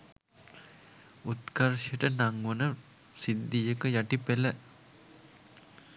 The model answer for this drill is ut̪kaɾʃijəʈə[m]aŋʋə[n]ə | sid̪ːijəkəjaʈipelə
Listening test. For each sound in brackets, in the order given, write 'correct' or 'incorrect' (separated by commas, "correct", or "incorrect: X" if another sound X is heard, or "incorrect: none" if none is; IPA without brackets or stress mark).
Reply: incorrect: n, correct